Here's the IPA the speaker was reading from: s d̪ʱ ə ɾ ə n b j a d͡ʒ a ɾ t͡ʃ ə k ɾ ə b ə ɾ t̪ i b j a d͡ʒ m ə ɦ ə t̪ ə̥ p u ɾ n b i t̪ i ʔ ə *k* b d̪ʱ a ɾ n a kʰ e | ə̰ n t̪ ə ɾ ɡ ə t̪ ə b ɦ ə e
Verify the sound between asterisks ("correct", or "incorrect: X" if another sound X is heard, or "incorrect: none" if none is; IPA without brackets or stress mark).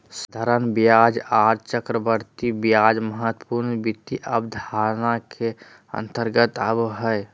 incorrect: none